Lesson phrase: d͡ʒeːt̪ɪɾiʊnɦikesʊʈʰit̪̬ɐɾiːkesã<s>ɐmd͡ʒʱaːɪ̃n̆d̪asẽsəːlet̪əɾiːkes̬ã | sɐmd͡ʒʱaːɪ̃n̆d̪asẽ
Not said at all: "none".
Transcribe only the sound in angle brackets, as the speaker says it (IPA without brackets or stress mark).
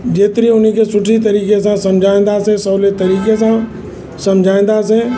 s